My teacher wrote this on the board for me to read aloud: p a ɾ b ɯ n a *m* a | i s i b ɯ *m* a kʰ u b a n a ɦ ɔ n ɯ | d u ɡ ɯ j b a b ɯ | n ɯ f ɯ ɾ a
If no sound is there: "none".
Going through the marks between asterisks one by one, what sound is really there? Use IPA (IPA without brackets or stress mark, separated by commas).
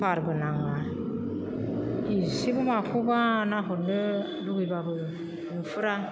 ŋ, m